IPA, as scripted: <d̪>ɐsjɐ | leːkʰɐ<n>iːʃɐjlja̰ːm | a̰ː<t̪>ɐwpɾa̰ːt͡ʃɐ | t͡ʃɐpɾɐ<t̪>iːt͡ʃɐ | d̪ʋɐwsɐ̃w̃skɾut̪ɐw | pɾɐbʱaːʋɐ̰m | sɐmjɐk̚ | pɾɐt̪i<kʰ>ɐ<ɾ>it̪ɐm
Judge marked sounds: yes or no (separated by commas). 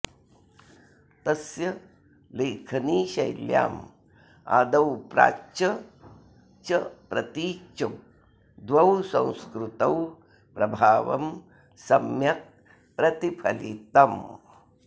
no, yes, no, yes, no, no